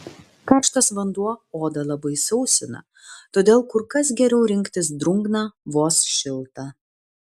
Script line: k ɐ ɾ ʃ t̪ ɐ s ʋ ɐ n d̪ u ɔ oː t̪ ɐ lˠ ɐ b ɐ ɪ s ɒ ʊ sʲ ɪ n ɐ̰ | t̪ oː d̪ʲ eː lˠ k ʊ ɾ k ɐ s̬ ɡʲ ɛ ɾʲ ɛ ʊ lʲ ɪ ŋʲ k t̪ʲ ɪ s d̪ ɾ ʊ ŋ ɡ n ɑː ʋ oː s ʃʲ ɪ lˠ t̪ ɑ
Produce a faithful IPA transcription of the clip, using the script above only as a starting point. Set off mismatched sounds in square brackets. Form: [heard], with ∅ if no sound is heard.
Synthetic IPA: k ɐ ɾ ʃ t̪ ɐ s ʋ ɐ n d̪ u ɔ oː [d̪] ɐ lˠ ɐ b ɐ ɪ s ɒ ʊ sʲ ɪ n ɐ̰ | t̪ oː d̪ʲ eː lˠ k ʊ ɾ k ɐ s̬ ɡʲ ɛ ɾʲ ɛ ʊ [ɾʲ] ɪ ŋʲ k t̪ʲ ɪ s d̪ ɾ ʊ ŋ ɡ n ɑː ʋ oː s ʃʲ ɪ lˠ t̪ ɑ

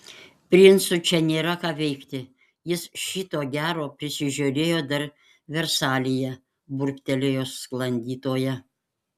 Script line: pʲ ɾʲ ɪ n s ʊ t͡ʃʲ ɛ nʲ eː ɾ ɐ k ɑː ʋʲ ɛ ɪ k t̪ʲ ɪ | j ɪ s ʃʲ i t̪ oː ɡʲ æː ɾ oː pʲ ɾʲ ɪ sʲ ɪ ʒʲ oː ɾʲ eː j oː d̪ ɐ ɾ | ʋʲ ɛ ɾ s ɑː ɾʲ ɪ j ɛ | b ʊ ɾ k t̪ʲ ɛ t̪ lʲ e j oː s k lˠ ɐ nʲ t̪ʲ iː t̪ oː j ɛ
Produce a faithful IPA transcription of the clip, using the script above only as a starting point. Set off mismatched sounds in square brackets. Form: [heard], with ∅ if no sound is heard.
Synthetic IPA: pʲ ɾʲ ɪ n s ʊ t͡ʃʲ ɛ nʲ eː ɾ ɐ k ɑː ʋʲ ɛ ɪ k t̪ʲ ɪ | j ɪ s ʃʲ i t̪ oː ɡʲ æː ɾ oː pʲ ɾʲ ɪ sʲ ɪ ʒʲ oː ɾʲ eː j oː d̪ ɐ ɾ | ʋʲ ɛ ɾ s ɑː [lʲ] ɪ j ɛ | b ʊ ɾ k t̪ʲ ɛ [∅] lʲ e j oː s k lˠ ɐ nʲ [d̪ʲ] iː t̪ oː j ɛ

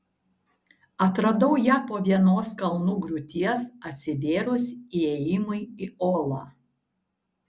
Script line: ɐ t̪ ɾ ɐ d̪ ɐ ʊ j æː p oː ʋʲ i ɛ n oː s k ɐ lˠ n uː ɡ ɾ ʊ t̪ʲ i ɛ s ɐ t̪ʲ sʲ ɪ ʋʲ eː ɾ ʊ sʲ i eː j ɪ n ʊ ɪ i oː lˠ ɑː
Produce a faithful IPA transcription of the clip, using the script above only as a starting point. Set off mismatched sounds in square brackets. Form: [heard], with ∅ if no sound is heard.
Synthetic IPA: ɐ t̪ ɾ ɐ d̪ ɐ ʊ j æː p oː ʋʲ i ɛ n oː s k ɐ lˠ n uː ɡ ɾ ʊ t̪ʲ i ɛ s ɐ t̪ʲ sʲ ɪ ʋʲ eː ɾ ʊ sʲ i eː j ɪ [m] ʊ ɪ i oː lˠ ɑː

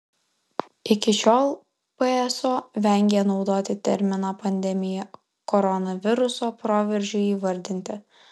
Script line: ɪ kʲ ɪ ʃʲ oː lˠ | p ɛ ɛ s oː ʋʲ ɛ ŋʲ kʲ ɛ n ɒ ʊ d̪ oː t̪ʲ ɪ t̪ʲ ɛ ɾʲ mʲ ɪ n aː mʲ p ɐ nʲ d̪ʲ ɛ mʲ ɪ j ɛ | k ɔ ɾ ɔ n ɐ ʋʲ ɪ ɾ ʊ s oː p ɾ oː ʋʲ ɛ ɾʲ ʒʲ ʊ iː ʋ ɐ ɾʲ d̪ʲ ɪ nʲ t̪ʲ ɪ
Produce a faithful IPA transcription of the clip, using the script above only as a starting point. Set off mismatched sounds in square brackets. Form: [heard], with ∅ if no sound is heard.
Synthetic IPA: ɪ kʲ ɪ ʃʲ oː lˠ | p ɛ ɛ s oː ʋʲ ɛ ŋʲ [ɡʲ] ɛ n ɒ ʊ d̪ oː t̪ʲ ɪ t̪ʲ ɛ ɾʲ mʲ ɪ n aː [∅] p ɐ nʲ d̪ʲ ɛ mʲ ɪ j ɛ | k ɔ ɾ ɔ n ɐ ʋʲ ɪ ɾ ʊ s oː p ɾ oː ʋʲ ɛ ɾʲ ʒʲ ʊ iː ʋ ɐ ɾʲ d̪ʲ ɪ nʲ t̪ʲ ɪ

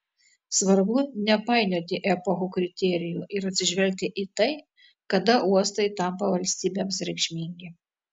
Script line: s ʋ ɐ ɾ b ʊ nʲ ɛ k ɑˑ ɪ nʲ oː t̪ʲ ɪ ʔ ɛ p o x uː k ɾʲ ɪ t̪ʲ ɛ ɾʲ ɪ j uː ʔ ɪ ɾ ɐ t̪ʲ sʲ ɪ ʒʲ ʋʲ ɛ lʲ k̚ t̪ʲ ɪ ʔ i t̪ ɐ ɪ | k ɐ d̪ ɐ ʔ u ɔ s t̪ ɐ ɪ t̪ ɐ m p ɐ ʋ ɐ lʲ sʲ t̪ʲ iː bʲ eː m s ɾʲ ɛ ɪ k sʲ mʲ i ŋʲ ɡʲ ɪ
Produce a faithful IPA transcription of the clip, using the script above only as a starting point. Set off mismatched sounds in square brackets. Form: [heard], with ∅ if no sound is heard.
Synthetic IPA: s ʋ ɐ ɾ b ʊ nʲ ɛ [p] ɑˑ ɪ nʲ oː t̪ʲ ɪ ʔ ɛ p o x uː k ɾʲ ɪ t̪ʲ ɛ ɾʲ ɪ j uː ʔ ɪ ɾ ɐ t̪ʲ sʲ ɪ ʒʲ ʋʲ ɛ lʲ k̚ t̪ʲ ɪ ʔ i t̪ ɐ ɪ | k ɐ d̪ ɐ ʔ u ɔ s t̪ ɐ ɪ t̪ ɐ m p ɐ ʋ ɐ lʲ sʲ t̪ʲ iː bʲ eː m s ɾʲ ɛ ɪ k [ʃʲ] mʲ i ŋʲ ɡʲ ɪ

